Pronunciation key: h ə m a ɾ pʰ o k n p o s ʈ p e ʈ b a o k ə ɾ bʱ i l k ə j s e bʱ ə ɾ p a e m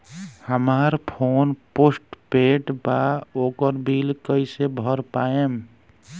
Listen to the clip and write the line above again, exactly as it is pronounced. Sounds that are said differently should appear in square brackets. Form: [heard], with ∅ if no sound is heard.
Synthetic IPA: h ə m a ɾ pʰ o [∅] n p o s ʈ p e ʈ b a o k ə ɾ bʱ i l k ə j s e bʱ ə ɾ p a e m